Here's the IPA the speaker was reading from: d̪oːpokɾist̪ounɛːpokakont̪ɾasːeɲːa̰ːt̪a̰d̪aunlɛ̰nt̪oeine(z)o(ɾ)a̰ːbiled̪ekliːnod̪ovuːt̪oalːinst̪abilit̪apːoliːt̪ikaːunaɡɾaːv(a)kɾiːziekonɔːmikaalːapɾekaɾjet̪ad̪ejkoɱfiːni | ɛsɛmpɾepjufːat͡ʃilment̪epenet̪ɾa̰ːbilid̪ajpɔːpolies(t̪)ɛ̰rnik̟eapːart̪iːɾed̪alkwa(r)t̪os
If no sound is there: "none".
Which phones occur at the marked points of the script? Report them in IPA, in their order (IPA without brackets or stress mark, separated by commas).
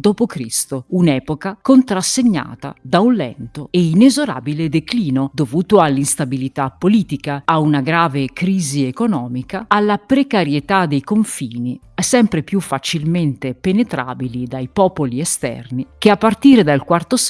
z, ɾ, e, t̪, r